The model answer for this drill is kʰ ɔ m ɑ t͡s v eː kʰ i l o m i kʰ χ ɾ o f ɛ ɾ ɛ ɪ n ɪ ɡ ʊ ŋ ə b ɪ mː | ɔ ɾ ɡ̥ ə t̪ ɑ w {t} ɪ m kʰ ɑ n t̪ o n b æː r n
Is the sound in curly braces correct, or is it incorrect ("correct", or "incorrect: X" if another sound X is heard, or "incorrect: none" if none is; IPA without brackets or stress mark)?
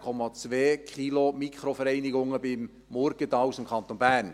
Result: incorrect: s